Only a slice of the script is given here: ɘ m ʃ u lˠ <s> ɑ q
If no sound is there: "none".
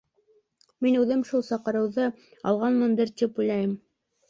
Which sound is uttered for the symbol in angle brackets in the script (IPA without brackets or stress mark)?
s